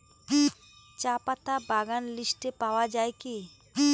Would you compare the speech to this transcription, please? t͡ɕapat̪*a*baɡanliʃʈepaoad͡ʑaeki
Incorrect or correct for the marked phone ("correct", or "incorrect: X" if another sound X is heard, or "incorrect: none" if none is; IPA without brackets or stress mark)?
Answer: correct